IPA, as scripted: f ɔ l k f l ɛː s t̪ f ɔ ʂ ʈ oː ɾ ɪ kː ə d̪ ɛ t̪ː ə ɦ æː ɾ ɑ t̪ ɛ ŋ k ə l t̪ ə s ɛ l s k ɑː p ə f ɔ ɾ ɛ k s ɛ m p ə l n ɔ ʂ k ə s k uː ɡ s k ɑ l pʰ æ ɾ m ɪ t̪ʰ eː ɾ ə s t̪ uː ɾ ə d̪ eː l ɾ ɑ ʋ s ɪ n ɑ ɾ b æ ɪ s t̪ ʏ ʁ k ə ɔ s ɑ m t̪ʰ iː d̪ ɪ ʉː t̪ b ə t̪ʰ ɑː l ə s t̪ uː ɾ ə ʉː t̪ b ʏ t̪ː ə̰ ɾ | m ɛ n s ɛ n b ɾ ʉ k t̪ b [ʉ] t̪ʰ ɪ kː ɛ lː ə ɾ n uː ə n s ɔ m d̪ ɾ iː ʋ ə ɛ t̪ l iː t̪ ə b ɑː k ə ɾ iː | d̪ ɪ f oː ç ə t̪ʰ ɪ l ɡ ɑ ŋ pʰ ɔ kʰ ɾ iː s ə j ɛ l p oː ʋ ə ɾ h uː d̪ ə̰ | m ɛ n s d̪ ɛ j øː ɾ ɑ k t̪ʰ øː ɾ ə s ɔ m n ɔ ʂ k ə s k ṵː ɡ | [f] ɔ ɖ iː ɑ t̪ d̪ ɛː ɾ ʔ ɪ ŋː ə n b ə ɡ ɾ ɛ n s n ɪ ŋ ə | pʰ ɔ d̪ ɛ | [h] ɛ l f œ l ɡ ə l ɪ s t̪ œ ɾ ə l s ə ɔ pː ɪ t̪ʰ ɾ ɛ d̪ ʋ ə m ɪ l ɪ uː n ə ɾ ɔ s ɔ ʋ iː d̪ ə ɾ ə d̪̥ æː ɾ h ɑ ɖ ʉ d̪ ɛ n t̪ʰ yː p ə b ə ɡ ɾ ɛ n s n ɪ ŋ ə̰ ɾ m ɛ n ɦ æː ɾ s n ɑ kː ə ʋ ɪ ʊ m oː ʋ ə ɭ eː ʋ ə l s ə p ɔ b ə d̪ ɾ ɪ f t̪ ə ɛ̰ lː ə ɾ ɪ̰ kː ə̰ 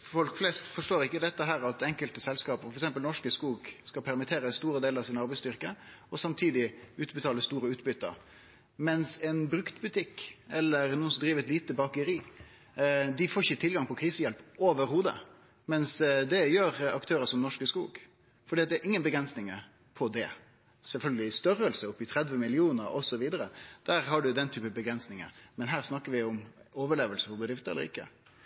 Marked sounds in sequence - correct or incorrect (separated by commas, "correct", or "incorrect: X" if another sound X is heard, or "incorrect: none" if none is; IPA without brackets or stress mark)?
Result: correct, correct, incorrect: s